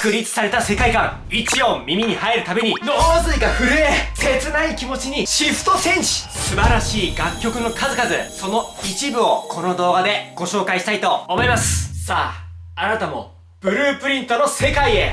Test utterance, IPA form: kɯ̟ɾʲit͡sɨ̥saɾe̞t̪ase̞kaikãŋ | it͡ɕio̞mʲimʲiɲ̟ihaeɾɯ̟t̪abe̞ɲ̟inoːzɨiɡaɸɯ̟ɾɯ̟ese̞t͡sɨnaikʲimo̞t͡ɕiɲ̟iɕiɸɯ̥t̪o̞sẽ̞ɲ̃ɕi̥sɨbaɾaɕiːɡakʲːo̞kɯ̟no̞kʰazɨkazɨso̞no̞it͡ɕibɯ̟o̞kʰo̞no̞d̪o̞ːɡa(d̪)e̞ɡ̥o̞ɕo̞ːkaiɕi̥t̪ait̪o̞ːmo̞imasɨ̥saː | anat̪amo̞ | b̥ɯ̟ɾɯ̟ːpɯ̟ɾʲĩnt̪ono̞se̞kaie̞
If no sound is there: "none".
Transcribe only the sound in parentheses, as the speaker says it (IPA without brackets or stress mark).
d̪